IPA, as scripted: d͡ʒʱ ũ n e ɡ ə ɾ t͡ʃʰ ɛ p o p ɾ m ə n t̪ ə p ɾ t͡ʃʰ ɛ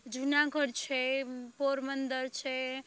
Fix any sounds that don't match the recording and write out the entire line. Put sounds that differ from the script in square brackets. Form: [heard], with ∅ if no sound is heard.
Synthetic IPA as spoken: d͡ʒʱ [u] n [a] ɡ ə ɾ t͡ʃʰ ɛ p o [∅] ɾ m ə n [d̪] ə [∅] ɾ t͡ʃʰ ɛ